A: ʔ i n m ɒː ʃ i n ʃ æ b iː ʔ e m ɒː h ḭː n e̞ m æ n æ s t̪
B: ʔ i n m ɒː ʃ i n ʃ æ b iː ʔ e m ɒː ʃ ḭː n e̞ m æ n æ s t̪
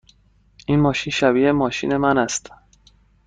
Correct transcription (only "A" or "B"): B